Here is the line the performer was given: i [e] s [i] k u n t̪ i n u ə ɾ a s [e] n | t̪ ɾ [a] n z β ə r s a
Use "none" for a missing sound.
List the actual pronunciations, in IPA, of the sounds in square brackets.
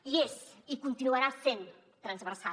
e, i, e, ə

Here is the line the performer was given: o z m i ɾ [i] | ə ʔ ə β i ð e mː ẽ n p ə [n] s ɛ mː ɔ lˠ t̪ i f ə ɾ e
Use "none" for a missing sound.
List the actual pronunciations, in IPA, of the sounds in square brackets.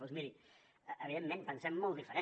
i, n

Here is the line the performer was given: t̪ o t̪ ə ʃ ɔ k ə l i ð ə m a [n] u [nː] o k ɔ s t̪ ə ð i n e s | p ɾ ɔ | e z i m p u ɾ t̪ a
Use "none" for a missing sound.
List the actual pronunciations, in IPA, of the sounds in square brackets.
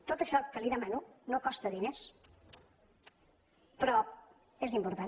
n, n

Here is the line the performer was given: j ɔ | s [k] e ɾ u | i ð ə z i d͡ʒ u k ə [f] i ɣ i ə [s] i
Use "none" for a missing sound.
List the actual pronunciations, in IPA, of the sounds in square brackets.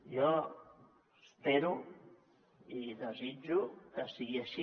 p, s, ʃ

